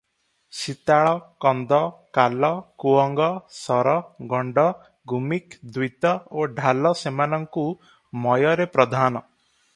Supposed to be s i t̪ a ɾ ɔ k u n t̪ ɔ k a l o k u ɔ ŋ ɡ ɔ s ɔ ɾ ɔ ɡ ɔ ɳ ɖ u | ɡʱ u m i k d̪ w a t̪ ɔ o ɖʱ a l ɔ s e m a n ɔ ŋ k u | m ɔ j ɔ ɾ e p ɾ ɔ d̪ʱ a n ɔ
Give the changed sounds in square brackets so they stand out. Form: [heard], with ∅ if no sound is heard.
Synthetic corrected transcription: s i t̪ a [ɭ] ɔ k [ɔ] n [d̪] ɔ k a l [ɔ] k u ɔ ŋ ɡ ɔ s ɔ ɾ ɔ ɡ ɔ ɳ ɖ [ɔ] | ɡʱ u m i k d̪ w [i] t̪ ɔ o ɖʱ a l ɔ s e m a n ɔ ŋ k u | m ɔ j ɔ ɾ e p ɾ ɔ d̪ʱ a n ɔ

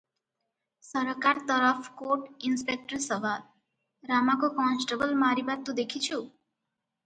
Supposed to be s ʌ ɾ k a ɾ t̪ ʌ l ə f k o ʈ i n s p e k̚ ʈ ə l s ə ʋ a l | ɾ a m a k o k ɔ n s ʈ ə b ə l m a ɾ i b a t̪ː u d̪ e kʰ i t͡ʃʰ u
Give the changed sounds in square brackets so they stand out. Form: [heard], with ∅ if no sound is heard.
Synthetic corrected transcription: s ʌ ɾ k a ɾ t̪ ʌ [ɾ] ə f k o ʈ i n s p e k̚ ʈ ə [ɾ] s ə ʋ a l | ɾ a m a k o k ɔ n s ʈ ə b ə l m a ɾ i b a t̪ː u d̪ e kʰ i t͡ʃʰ u

